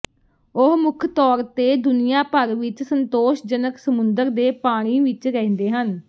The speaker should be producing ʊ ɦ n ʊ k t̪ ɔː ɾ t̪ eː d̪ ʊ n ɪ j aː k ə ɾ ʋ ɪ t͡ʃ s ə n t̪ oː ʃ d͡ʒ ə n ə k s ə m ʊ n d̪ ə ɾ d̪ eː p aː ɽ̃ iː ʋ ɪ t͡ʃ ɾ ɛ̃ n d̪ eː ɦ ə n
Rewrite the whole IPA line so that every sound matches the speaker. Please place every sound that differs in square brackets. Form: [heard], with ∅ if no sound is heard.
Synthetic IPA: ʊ ɦ [m] ʊ [kʰ] t̪ ɔː ɾ t̪ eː d̪ ʊ n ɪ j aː [p] ə ɾ ʋ ɪ t͡ʃ s ə n t̪ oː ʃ d͡ʒ ə n ə k s ə m ʊ n d̪ ə ɾ d̪ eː p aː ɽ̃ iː ʋ ɪ t͡ʃ ɾ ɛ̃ n d̪ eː ɦ ə n